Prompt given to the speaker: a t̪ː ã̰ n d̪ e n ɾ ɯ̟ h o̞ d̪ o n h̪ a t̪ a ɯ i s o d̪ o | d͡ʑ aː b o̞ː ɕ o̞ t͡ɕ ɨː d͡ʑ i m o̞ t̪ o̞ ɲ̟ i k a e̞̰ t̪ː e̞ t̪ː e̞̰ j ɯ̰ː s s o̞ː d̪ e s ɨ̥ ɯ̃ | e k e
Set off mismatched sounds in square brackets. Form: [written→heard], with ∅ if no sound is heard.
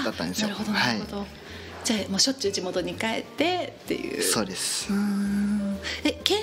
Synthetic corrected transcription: a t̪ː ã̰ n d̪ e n ɾ ɯ̟ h o̞ d̪ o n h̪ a [t̪→∅] a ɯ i [s→∅] o d̪ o | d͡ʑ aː [b→m] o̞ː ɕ o̞ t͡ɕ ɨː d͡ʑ i m o̞ t̪ o̞ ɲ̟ i k a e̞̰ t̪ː e̞ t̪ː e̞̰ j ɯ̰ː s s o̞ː d̪ e s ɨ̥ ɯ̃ | e k e